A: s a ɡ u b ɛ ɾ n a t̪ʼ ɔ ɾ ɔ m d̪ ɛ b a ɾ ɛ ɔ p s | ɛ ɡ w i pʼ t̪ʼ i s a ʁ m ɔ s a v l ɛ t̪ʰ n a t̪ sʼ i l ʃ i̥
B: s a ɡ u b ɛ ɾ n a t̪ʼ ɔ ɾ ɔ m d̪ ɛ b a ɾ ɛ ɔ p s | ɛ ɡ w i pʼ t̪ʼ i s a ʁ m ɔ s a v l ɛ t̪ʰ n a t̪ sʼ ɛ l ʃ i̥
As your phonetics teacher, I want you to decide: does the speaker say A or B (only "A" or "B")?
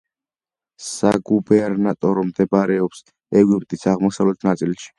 A